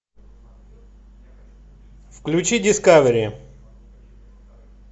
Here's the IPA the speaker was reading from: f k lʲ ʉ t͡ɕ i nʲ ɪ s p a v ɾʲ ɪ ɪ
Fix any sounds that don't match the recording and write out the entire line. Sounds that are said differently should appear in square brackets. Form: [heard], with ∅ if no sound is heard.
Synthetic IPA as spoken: f k lʲ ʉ t͡ɕ i [dʲ] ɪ s [k] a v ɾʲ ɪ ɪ